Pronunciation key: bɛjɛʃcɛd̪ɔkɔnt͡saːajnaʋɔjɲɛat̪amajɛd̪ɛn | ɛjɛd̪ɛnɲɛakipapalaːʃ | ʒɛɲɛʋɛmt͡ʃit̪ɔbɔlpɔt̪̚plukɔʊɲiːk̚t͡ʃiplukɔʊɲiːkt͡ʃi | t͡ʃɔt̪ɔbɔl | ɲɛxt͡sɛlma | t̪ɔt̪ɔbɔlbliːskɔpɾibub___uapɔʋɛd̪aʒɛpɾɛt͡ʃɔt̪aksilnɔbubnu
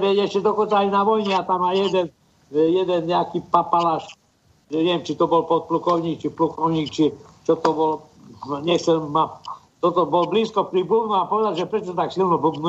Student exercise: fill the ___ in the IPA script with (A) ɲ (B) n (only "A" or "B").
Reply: B